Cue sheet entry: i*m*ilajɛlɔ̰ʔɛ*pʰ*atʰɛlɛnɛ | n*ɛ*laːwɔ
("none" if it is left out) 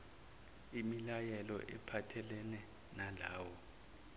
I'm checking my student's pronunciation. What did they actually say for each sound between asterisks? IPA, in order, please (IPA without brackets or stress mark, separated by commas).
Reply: m, pʰ, a